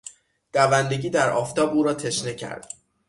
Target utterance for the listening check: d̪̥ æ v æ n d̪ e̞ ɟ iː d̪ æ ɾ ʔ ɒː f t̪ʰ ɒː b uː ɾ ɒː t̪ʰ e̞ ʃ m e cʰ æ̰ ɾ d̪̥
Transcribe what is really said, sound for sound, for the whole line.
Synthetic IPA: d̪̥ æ v æ n d̪ e̞ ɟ iː d̪ æ ɾ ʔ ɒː f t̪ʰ ɒː b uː ɾ ɒː t̪ʰ e̞ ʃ n e cʰ æ̰ ɾ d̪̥